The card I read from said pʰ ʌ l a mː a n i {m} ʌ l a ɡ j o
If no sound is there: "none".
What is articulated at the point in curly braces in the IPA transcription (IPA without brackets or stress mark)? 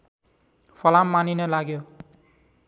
n